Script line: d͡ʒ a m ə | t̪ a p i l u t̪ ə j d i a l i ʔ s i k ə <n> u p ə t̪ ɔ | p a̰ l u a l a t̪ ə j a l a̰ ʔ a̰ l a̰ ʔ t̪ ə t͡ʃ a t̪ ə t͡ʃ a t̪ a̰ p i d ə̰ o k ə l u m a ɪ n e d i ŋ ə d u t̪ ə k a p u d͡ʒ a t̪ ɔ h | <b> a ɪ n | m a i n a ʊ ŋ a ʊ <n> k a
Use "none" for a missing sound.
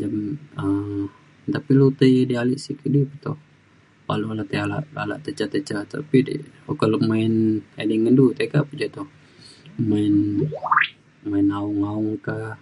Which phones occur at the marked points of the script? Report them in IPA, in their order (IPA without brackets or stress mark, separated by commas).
d, m, ŋ